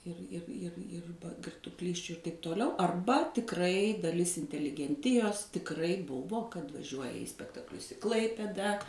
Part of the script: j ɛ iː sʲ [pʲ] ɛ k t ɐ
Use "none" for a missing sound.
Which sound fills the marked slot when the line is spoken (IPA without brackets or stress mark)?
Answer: pʲ